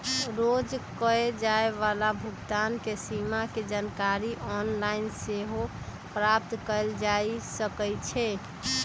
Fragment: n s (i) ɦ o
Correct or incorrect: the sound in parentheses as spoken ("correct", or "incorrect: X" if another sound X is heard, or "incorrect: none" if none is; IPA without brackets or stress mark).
incorrect: e